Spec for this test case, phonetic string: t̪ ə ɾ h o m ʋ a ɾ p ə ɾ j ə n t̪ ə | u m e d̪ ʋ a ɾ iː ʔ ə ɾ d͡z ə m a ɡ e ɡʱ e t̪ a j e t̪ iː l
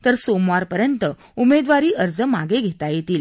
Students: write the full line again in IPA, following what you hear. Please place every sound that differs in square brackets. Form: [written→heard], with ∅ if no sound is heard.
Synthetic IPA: t̪ ə ɾ [h→s] o m ʋ a ɾ p ə ɾ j ə n t̪ ə | u m e d̪ ʋ a ɾ iː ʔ ə ɾ d͡z ə m a ɡ e ɡʱ e t̪ a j e t̪ iː l